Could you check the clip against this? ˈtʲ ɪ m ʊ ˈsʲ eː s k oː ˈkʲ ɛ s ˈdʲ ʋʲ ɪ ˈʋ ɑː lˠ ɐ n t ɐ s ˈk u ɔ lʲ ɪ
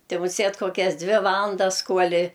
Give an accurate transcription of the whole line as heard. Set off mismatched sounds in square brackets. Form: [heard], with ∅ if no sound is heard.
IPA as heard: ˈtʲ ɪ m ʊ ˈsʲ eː [t] k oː ˈkʲ ɛ s ˈdʲ ʋʲ ɪ ˈʋ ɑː lˠ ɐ n [d] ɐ s ˈk u ɔ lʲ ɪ